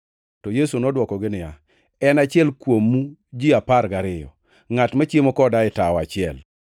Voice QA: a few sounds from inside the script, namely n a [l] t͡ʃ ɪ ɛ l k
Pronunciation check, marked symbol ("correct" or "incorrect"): incorrect